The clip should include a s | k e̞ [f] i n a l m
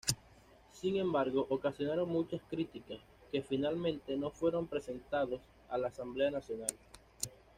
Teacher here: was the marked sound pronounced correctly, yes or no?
yes